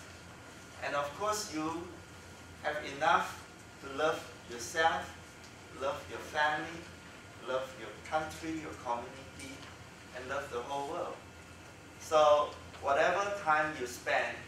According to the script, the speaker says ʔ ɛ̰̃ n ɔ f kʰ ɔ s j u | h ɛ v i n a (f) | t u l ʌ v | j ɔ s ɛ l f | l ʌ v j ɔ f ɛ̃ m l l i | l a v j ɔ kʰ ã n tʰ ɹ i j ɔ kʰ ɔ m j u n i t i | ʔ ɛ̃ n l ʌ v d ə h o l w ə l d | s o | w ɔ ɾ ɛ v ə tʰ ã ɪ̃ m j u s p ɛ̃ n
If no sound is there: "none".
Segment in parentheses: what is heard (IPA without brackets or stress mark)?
f